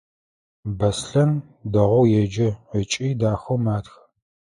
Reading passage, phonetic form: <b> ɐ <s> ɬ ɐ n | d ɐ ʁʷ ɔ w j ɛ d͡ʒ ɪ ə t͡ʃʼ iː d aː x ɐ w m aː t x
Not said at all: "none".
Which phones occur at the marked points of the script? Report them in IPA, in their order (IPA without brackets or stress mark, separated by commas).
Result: b, s